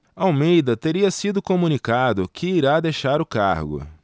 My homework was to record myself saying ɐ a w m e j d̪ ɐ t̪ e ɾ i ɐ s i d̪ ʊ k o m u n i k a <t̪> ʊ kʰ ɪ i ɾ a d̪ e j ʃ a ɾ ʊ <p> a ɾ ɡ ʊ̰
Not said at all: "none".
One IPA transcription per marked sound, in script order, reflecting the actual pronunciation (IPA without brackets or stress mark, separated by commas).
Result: d̪, k